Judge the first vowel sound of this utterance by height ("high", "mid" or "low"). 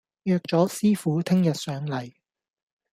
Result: mid